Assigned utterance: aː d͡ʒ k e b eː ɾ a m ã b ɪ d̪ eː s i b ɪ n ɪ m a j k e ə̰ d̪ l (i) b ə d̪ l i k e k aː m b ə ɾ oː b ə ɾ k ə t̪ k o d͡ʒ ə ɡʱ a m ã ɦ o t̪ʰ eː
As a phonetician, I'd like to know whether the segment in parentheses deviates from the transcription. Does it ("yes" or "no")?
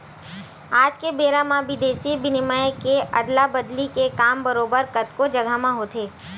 yes